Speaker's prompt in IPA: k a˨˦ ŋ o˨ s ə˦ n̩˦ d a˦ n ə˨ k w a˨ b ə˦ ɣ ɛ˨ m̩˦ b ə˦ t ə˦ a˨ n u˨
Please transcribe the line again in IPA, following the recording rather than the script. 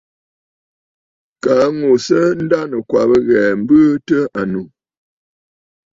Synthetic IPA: k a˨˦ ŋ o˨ s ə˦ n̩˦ d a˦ n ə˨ k w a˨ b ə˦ ɣ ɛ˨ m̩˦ b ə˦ t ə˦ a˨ n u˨